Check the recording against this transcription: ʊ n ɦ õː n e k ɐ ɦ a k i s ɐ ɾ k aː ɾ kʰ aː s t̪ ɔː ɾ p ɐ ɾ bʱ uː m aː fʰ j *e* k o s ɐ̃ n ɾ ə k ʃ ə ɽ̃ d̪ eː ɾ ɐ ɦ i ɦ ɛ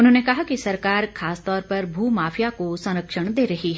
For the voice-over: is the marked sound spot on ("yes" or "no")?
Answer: no